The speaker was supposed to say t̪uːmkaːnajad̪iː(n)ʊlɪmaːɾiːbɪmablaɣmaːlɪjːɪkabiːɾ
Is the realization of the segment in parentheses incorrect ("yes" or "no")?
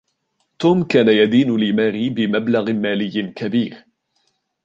no